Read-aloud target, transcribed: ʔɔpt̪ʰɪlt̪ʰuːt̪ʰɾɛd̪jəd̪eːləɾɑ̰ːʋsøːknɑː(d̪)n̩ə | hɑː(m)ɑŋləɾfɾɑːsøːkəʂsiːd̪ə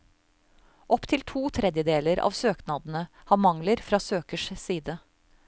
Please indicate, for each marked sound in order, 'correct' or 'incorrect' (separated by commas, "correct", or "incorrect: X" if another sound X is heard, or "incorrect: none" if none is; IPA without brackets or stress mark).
correct, correct